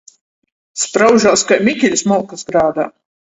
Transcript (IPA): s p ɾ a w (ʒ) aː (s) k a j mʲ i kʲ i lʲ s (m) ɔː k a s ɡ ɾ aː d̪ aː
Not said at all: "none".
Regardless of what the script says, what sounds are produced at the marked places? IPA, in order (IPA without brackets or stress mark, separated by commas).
ʒ, s, m